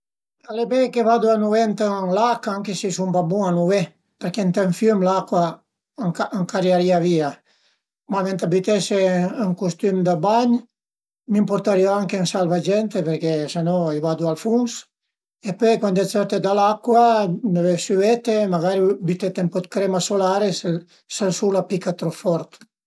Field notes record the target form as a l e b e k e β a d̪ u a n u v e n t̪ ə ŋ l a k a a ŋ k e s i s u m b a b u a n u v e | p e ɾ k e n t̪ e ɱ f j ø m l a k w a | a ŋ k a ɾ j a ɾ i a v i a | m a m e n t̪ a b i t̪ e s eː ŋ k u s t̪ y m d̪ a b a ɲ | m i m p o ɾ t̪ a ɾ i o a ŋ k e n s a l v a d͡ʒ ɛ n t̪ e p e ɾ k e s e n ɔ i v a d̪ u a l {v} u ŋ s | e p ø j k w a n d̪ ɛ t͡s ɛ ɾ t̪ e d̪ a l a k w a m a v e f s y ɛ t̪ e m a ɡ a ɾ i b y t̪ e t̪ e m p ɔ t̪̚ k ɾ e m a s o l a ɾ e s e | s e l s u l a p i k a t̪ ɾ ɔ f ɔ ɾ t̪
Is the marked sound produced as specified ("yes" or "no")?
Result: no